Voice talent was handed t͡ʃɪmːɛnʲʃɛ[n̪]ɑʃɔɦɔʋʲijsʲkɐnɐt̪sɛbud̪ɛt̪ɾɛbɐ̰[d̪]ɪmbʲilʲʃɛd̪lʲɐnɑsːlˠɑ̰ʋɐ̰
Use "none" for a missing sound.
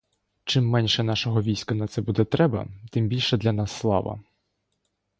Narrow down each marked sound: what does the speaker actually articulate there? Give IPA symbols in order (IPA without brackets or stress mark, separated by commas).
n̪, t̪